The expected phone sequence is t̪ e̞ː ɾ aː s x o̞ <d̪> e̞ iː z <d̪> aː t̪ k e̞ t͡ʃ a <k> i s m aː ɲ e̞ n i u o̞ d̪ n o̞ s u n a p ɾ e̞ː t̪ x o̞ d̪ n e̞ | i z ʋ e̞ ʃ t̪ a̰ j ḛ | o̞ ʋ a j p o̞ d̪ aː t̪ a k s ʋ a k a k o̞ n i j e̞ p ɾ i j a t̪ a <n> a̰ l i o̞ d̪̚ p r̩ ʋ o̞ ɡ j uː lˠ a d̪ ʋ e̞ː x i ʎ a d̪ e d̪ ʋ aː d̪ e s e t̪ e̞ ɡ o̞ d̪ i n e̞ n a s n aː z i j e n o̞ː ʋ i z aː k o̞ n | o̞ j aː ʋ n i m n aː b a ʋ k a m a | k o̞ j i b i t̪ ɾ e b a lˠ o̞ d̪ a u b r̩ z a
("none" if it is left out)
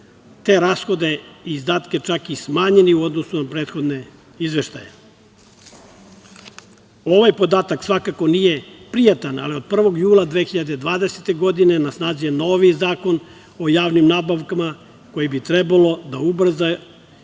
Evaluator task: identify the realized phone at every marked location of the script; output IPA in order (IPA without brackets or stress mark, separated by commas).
d̪, d̪, k, n